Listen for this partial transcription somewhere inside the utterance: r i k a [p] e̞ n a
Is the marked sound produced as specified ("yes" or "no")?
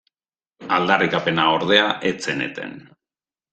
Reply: yes